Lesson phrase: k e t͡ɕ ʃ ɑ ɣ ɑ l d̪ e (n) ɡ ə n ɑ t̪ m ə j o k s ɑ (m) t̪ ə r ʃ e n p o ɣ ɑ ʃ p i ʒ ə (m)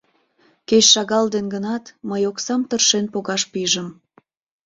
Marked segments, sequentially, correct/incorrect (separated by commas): correct, correct, correct